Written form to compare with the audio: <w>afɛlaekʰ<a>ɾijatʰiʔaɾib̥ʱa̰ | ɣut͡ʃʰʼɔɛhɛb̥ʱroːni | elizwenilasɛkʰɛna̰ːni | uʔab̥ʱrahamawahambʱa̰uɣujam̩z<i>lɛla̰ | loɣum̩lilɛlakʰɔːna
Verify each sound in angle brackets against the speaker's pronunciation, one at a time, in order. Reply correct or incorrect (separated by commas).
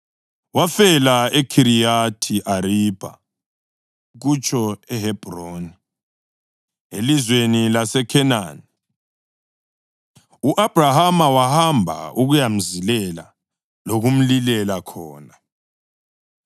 correct, incorrect, correct